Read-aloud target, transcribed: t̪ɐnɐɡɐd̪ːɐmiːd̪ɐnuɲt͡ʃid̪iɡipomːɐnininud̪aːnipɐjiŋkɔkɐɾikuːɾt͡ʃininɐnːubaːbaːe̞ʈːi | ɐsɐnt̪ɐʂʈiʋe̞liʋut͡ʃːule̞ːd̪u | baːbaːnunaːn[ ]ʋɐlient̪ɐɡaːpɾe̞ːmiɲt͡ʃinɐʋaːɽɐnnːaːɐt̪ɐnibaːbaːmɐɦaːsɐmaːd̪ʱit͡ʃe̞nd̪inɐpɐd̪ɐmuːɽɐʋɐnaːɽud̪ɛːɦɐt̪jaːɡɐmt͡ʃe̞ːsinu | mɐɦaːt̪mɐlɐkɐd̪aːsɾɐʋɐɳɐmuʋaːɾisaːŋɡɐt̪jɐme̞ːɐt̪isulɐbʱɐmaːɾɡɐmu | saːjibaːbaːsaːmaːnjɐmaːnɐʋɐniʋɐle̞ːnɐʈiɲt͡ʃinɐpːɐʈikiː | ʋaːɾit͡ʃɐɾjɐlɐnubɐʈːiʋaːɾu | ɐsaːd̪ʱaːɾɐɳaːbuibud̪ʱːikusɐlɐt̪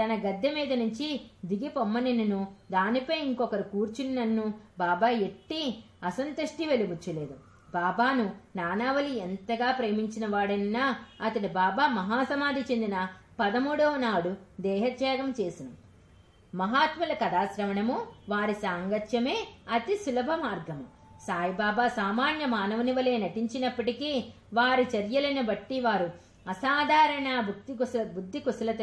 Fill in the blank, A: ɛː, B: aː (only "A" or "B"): B